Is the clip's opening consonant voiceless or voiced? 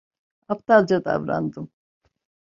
voiceless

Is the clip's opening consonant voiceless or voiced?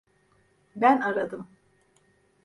voiced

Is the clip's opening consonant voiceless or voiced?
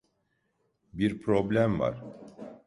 voiced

